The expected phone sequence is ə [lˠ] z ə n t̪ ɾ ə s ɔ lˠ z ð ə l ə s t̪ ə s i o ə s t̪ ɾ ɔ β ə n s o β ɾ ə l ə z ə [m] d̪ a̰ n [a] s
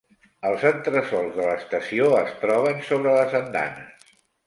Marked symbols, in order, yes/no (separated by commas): yes, no, no